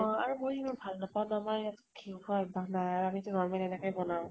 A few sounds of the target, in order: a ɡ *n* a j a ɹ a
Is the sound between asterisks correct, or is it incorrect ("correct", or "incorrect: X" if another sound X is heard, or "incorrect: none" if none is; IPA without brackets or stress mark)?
correct